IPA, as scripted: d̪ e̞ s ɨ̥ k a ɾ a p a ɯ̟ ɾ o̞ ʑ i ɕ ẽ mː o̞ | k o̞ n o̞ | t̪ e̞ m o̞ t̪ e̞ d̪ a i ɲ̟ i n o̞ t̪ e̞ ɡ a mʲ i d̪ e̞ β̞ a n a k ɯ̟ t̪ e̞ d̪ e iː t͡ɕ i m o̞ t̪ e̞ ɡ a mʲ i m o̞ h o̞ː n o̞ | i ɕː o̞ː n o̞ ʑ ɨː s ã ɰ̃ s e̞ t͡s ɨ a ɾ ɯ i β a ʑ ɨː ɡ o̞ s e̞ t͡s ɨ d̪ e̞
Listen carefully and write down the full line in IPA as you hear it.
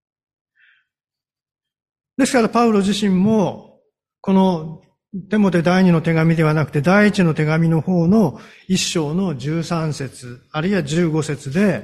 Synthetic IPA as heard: d̪ e̞ s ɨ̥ k a ɾ a p a ɯ̟ ɾ o̞ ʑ i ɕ ĩ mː o̞ | k o̞ n o̞ | t̪ e̞ m o̞ t̪ e̞ d̪ a i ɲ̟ i n o̞ t̪ e̞ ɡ a mʲ i d̪ e̞ β̞ a n a k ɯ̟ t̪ e̞ d̪ a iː t͡ɕ i n o̞ t̪ e̞ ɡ a mʲ i n o̞ h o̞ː n o̞ | i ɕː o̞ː n o̞ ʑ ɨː s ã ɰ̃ s e̞ t͡s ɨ a ɾ ɯ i β a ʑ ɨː ɡ o̞ s e̞ t͡s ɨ d̪ e̞